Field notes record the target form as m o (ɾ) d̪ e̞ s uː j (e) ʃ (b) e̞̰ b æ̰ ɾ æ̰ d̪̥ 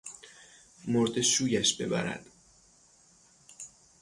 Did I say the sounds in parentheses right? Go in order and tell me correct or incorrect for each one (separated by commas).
correct, incorrect, correct